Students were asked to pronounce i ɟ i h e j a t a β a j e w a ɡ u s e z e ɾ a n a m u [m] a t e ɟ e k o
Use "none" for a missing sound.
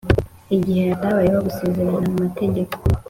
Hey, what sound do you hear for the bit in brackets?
m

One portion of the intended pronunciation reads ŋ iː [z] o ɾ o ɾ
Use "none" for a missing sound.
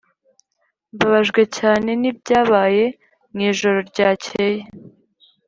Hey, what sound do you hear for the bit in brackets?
ʒ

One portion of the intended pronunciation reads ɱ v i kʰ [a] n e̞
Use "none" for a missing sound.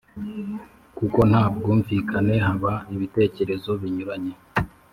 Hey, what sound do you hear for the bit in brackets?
a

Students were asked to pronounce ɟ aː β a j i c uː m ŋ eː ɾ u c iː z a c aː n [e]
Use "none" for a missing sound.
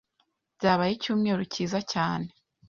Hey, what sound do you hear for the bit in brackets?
e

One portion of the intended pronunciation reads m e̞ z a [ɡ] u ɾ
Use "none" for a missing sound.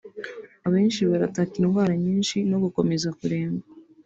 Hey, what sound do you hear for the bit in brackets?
k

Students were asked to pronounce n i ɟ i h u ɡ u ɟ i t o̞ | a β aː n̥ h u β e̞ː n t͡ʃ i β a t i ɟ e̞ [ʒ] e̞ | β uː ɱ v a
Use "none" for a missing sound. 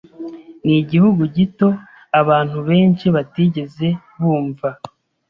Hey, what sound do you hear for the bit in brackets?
z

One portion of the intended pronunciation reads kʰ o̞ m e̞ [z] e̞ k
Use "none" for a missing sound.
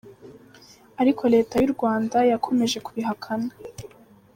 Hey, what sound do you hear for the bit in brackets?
ʒ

